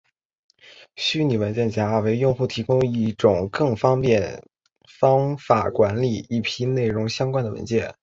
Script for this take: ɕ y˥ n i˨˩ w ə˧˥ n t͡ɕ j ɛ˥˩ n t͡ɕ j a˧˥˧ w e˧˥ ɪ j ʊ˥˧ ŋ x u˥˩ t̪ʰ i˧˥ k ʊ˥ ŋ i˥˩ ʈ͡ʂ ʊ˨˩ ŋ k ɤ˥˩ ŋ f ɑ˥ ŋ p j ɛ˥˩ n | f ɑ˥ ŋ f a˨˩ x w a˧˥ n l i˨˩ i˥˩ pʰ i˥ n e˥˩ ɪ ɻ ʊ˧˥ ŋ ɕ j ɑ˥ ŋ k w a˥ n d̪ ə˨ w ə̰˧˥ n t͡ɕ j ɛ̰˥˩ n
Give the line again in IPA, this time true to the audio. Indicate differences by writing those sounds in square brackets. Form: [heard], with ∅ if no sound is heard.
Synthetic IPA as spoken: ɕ y˥ n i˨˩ w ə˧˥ n t͡ɕ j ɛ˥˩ n t͡ɕ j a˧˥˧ w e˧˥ ɪ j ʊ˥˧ ŋ x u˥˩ t̪ʰ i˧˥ k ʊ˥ ŋ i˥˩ ʈ͡ʂ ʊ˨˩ ŋ k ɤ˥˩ ŋ f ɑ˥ ŋ p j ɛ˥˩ n | f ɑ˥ ŋ f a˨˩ [k] w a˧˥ n l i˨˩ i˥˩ pʰ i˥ n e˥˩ ɪ ɻ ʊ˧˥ ŋ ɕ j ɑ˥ ŋ k w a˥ n d̪ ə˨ w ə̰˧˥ n t͡ɕ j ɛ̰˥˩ n